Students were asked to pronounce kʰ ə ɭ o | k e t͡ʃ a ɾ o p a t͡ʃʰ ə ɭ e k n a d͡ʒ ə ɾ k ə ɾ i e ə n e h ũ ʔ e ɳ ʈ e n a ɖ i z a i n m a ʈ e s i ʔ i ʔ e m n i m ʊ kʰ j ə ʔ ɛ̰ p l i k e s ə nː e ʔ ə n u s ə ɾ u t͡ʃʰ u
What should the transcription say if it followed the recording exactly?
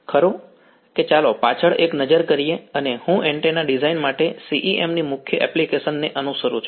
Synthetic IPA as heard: kʰ ə ɾ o | k e t͡ʃ a l o p a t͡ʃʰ ə ɭ e k n ə d͡ʒ ə ɾ k ə ɾ i e ə n e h ũ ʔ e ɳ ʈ e n a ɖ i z a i n m a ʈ e s i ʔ i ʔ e m n i m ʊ kʰ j ə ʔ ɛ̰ p l i k e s ə nː e ʔ ə n u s ə ɾ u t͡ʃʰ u